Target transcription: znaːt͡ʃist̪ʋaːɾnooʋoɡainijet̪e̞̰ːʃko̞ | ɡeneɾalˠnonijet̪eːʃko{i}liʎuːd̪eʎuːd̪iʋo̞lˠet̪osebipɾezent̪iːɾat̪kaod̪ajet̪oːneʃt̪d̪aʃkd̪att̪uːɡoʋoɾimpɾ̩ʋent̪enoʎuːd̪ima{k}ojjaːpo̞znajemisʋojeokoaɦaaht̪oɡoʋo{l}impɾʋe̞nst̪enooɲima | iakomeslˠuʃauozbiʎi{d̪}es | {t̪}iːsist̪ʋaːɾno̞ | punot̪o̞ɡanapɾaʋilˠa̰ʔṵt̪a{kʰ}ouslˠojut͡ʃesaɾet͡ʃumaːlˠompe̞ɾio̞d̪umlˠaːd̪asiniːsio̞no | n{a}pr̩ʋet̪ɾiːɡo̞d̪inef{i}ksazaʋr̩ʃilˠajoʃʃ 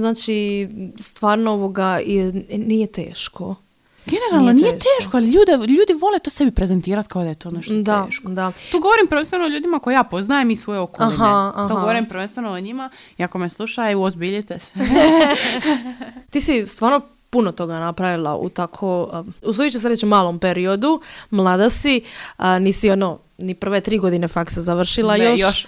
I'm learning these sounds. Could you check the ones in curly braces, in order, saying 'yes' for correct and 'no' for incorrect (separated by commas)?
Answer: no, yes, no, no, yes, yes, no, no